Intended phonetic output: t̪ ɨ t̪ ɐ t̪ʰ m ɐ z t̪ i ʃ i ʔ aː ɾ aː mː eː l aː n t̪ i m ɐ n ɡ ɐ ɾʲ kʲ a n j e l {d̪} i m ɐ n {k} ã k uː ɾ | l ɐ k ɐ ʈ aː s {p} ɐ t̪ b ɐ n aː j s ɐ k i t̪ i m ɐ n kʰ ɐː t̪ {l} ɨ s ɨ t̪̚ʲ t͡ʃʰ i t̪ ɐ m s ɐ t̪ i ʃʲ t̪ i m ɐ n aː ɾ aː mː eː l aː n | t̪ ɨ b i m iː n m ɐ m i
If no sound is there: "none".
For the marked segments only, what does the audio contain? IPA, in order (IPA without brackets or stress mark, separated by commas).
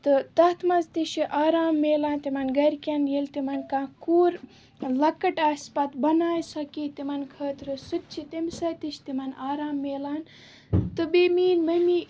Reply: t̪, k, p, ɾ